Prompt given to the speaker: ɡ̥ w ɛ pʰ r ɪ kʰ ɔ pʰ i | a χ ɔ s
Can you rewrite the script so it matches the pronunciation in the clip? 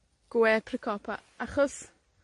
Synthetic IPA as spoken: ɡ̥ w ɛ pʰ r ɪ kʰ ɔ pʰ a | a χ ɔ s